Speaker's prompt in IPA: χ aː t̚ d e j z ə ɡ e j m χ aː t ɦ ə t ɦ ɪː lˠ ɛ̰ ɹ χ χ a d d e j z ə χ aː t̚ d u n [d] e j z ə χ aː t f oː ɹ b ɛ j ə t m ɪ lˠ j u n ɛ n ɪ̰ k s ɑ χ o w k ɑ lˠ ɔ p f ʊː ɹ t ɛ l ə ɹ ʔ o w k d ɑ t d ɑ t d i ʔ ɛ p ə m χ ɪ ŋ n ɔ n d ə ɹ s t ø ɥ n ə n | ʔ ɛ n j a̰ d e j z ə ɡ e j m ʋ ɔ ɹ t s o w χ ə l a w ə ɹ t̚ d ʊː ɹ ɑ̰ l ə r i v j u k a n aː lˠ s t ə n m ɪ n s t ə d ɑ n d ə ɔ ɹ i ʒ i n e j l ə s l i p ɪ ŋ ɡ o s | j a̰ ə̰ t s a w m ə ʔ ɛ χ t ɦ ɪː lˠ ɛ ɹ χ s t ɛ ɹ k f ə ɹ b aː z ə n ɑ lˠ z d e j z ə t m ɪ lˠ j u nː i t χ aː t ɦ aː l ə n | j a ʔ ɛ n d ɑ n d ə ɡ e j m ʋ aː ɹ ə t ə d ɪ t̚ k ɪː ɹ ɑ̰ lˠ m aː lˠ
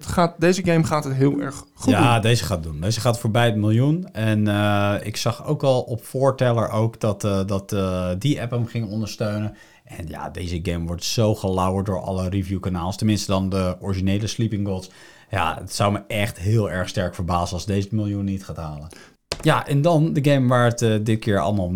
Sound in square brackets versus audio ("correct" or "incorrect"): correct